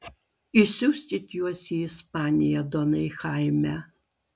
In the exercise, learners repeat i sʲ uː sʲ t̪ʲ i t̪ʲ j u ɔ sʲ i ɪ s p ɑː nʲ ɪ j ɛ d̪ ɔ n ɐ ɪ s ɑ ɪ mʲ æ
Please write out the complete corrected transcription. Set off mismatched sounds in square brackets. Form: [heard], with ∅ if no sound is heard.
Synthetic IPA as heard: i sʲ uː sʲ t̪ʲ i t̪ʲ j u ɔ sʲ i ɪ s p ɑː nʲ ɪ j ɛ d̪ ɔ n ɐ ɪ [x] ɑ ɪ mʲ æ